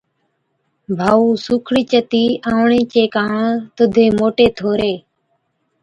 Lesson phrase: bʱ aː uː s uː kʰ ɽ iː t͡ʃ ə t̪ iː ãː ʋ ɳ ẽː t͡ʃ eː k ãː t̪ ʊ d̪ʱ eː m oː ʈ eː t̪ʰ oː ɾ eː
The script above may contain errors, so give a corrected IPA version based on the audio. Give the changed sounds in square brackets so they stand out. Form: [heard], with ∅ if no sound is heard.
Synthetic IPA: bʱ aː uː s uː kʰ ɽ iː t͡ʃ ə t̪ iː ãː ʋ ɳ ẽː t͡ʃ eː k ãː t̪ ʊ d̪ʱ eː m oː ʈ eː t̪ʰ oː ɾ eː